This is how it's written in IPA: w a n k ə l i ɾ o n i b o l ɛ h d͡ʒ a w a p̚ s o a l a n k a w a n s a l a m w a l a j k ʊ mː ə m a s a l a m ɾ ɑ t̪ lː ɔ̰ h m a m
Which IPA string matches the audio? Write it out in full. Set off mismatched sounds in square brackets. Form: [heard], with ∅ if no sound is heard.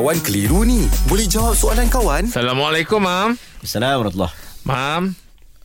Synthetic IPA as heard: w a n k ə l i ɾ [u] n i b o l ɛ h d͡ʒ a w a p̚ s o a l a n k a w a n s a l a m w a l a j k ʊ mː [a] m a s a l a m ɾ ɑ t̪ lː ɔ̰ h m a m